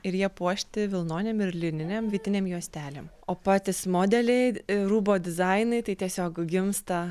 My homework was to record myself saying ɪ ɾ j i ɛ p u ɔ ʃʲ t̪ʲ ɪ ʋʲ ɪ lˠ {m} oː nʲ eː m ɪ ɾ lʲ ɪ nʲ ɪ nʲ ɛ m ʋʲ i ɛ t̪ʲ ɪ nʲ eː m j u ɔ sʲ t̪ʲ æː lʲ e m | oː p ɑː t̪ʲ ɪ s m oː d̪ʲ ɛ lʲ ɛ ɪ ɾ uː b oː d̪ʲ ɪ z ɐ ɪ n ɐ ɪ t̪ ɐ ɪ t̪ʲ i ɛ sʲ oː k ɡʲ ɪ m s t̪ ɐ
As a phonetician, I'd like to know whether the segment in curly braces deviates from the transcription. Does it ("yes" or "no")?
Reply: yes